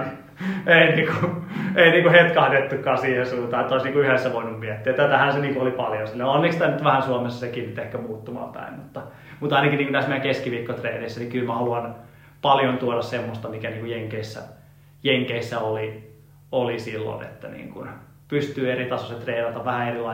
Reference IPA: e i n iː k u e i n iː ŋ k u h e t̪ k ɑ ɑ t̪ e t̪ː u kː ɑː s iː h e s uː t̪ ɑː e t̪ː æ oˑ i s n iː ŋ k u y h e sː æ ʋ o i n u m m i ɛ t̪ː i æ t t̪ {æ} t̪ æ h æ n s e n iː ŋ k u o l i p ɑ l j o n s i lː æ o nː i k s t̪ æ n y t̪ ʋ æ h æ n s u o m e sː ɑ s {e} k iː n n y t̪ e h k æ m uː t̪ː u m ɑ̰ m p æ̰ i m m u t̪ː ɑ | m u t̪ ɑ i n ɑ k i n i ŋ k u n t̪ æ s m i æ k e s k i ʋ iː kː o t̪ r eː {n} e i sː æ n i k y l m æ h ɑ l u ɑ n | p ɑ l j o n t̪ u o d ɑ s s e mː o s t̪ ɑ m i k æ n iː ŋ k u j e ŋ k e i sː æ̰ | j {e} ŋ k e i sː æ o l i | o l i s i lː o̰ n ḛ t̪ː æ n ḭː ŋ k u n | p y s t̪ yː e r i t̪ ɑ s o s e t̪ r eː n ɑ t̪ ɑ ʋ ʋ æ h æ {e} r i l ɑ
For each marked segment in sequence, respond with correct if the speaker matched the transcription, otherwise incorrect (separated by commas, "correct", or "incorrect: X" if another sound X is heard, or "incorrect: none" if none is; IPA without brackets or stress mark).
correct, correct, correct, correct, correct